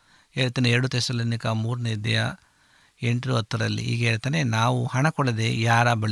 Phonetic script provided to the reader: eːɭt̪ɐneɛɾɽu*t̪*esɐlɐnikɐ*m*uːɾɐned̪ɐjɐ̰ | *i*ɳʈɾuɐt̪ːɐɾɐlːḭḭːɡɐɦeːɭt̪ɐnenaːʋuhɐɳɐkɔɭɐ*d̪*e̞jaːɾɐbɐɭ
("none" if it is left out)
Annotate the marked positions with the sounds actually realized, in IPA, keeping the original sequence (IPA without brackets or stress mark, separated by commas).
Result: t̪, m, e, d̪